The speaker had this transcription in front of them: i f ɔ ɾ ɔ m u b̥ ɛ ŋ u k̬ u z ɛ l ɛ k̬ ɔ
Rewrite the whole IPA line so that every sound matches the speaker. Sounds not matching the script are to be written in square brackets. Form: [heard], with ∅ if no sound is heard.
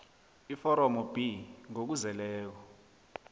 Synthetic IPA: i f ɔ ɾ ɔ m [ɔ] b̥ [i] ŋ [o] k̬ u z ɛ l [ɛː] k̬ ɔ